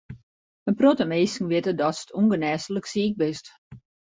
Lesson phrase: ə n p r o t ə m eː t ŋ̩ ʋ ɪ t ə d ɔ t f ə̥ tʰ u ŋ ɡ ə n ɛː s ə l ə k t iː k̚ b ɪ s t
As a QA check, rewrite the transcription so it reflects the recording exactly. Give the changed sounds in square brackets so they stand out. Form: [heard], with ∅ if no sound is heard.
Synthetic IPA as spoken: ə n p r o t ə m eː [s] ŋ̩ ʋ ɪ t ə d ɔ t [s] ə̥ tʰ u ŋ ɡ ə n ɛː s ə l ə k [s] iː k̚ b ɪ s t